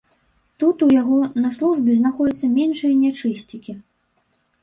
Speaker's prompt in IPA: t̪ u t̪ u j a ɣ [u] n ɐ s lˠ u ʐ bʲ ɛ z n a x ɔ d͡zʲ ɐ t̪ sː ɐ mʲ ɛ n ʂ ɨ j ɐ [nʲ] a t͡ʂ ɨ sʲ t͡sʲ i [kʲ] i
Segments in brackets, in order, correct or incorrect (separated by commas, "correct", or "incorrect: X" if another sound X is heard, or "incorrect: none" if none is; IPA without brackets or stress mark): incorrect: ɔ, correct, correct